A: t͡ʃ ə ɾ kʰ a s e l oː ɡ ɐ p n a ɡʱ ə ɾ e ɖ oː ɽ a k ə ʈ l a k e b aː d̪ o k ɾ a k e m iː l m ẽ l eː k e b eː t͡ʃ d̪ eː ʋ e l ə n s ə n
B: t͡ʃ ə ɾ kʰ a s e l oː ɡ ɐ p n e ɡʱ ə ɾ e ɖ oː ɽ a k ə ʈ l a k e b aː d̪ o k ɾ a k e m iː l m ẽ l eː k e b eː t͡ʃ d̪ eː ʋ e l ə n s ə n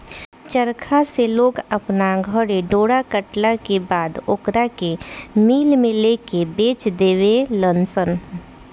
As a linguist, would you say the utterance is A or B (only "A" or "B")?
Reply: A